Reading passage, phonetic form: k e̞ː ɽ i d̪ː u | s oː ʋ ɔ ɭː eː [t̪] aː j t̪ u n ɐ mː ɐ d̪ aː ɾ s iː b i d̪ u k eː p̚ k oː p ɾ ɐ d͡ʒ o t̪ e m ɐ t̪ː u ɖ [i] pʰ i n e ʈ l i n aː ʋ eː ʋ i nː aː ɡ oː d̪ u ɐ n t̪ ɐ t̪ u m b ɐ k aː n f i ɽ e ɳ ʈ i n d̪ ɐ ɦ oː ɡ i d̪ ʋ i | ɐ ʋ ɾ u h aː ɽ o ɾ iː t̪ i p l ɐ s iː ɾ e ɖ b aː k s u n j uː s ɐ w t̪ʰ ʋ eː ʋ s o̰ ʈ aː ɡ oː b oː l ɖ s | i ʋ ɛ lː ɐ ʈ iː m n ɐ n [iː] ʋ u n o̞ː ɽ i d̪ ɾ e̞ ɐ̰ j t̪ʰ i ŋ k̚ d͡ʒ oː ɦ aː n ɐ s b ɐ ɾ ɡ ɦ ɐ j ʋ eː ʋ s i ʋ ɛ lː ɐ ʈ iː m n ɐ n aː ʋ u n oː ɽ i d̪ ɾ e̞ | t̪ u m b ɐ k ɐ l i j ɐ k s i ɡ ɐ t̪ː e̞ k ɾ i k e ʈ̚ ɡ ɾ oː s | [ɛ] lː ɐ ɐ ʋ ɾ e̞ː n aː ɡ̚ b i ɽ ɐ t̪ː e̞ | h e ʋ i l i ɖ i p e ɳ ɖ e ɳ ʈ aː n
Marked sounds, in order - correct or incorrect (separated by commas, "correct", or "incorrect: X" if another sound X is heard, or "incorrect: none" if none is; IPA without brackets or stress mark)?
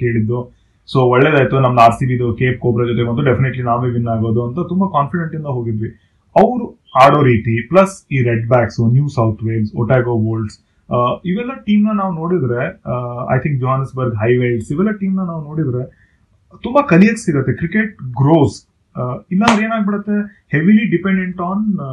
incorrect: d̪, incorrect: e, incorrect: aː, incorrect: i